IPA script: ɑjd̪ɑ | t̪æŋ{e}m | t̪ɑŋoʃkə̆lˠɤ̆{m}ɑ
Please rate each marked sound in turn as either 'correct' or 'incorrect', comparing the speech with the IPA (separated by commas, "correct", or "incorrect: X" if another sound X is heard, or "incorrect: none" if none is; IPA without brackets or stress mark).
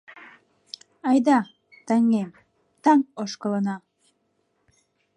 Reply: correct, incorrect: n